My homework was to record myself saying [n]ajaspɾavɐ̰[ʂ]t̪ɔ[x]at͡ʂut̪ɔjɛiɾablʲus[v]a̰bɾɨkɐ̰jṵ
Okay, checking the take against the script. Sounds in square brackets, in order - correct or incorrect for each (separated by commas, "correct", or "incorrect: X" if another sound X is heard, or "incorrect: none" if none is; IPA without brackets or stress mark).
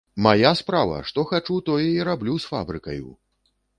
incorrect: m, correct, correct, incorrect: f